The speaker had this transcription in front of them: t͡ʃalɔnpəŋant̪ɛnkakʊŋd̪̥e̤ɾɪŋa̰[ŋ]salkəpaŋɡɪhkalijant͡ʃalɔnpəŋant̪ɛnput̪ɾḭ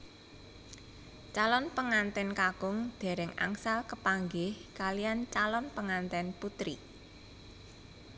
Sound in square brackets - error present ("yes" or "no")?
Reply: no